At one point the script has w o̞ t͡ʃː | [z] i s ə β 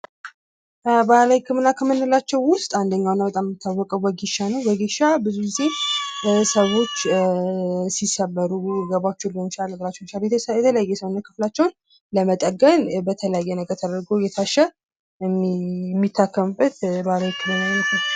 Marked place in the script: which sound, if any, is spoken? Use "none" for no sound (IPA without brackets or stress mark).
s